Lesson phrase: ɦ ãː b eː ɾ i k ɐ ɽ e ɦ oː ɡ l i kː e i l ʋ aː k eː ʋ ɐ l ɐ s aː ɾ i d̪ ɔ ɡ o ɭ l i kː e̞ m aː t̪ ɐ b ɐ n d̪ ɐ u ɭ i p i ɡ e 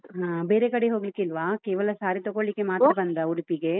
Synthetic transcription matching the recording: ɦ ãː b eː ɾ e k ɐ ɽ e ɦ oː ɡ l i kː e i l ʋ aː k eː ʋ ɐ l ɐ s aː ɾ i t̪ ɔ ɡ o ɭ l i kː e̞ m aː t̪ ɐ b ɐ n d̪ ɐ u ɽ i p i ɡ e